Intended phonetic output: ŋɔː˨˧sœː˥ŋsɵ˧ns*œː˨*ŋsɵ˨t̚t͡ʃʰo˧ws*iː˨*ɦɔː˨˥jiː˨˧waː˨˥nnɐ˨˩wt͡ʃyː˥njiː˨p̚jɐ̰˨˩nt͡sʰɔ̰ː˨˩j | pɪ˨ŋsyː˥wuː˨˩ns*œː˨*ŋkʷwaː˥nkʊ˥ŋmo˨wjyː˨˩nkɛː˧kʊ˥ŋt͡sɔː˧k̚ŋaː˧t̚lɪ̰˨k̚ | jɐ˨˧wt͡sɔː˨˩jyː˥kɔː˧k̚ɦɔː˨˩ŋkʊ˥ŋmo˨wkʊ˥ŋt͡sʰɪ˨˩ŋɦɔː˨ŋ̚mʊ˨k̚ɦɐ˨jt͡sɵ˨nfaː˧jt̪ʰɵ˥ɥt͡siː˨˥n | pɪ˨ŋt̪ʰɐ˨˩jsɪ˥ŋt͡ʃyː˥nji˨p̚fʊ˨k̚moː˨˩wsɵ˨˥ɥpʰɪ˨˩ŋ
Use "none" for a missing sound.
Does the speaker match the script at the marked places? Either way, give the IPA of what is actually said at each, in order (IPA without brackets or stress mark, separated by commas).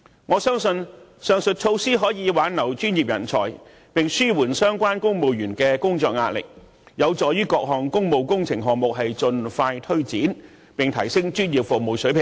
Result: œː˨, iː˥, œː˥